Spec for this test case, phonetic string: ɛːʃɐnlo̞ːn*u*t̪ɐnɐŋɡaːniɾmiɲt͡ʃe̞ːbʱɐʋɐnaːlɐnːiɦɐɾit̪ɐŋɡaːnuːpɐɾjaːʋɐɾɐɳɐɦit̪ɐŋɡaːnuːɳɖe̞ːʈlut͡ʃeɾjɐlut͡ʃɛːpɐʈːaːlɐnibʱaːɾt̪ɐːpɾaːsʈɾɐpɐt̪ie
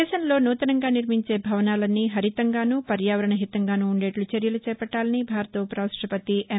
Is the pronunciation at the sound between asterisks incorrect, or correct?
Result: incorrect